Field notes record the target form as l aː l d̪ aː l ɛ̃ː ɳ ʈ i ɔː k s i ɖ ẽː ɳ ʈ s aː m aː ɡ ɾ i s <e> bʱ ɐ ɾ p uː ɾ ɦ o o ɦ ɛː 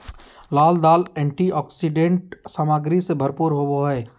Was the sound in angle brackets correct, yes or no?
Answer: yes